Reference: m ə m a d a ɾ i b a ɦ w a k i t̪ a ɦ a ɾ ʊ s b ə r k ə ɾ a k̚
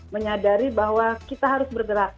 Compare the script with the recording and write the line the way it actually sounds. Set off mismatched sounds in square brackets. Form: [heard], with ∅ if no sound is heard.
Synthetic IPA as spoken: m ə [ɲ] a d a ɾ i b a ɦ w a k i t̪ a ɦ a ɾ ʊ s b ə r [ɡ] ə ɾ a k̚